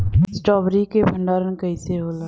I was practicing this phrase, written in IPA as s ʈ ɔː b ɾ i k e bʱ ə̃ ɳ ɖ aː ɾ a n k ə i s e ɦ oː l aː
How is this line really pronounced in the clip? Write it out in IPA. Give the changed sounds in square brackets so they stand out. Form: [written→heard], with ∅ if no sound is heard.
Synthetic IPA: s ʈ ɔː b ɾ i k e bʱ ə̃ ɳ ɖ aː ɾ [a→ə] n k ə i s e ɦ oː l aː